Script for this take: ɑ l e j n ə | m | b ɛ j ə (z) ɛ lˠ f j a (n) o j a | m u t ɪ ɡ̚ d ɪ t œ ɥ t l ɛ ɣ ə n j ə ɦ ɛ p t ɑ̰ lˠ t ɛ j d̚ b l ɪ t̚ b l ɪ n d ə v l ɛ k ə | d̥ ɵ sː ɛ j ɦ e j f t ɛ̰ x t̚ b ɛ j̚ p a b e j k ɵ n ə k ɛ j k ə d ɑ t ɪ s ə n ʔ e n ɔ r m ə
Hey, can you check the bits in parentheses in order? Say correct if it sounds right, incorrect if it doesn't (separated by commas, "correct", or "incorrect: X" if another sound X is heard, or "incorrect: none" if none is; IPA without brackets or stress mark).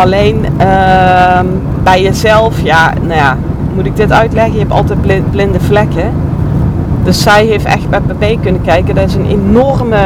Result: correct, correct